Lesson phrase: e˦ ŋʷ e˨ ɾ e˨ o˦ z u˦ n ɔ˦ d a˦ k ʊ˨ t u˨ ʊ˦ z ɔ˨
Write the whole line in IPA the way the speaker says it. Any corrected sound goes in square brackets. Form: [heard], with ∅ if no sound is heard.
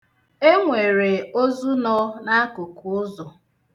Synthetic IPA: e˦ ŋʷ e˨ ɾ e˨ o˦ z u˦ n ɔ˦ [n] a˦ k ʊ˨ [k] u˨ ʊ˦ z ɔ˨

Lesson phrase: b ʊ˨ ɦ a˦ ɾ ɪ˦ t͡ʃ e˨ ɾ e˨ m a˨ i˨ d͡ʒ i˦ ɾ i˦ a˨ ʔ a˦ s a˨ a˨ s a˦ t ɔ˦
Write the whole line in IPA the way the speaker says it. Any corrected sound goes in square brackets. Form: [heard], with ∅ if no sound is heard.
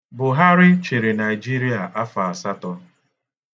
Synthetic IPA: b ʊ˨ ɦ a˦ ɾ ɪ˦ t͡ʃ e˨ ɾ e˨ [n] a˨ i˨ d͡ʒ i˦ ɾ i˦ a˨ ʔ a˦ [f] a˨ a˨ s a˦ t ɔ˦

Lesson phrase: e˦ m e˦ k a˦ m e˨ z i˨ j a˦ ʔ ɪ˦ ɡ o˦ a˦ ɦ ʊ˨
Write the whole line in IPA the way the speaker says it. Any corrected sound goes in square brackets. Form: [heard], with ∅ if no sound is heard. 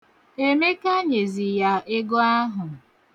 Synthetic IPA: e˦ m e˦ k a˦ [ɲ] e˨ z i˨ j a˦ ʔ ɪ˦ ɡ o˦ a˦ ɦ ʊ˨

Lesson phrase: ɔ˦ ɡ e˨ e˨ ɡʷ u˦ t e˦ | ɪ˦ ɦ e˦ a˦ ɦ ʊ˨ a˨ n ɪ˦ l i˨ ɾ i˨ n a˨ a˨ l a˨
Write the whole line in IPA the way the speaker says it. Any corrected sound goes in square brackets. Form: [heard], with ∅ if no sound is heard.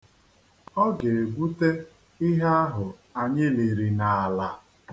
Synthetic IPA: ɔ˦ ɡ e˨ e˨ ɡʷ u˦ t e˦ | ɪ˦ ɦ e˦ a˦ ɦ ʊ˨ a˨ [ɲ] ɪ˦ l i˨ ɾ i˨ n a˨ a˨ l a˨

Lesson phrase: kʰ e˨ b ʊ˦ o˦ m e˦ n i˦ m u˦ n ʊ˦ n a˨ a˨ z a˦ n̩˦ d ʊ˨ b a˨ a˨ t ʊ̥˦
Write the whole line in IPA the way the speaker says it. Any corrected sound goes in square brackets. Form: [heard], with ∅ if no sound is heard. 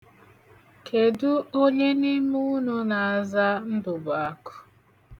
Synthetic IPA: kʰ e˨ [d] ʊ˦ o˦ [ɲ] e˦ n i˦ m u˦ n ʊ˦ n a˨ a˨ z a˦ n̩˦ d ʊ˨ b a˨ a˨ [k] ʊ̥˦

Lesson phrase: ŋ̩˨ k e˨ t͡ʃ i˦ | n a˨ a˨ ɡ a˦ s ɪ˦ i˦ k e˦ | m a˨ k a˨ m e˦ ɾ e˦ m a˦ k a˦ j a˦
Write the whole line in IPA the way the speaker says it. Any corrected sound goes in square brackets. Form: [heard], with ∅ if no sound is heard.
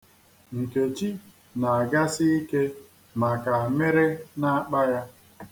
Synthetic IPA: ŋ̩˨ k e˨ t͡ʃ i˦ | n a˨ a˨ ɡ a˦ s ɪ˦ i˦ k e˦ | m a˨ k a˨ m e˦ ɾ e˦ [n] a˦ [k͡p] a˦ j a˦

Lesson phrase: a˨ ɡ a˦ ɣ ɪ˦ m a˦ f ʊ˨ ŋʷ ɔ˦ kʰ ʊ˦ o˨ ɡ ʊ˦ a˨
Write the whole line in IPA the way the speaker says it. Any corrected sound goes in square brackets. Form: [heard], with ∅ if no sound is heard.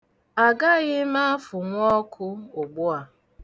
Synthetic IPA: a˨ ɡ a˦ ɣ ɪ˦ m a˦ f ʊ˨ ŋʷ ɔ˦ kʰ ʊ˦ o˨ [ɡ͡b] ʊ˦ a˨

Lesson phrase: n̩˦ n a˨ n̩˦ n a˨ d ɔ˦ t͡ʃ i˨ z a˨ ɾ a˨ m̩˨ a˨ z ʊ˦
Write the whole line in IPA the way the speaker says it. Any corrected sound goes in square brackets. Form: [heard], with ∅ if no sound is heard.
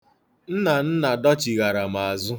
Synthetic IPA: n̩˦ n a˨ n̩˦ n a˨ d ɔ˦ t͡ʃ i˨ [ɣ] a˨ ɾ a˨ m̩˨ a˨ z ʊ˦

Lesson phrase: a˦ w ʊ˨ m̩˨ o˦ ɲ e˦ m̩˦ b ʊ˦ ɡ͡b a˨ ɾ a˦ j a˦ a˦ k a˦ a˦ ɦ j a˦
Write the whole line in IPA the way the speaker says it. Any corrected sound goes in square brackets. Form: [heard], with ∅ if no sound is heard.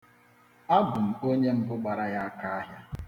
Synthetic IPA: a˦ [b] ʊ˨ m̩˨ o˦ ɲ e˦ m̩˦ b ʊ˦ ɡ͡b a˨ ɾ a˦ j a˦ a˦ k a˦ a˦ ɦ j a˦

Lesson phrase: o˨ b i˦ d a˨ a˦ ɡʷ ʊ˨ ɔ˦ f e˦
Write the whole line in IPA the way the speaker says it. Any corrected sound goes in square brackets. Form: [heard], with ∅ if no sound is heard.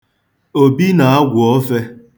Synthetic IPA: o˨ b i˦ [n] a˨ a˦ ɡʷ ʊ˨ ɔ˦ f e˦

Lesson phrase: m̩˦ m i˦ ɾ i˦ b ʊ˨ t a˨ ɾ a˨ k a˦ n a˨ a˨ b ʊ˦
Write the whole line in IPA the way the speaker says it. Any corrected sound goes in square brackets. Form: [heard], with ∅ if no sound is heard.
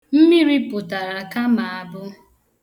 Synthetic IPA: m̩˦ m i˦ ɾ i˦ [p] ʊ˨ t a˨ ɾ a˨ k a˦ [m] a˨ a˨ b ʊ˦

